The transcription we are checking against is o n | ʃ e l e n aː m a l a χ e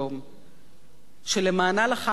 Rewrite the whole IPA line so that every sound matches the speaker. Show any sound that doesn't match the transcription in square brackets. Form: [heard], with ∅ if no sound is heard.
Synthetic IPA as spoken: o [m] | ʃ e l e [m] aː [n] a l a χ [a]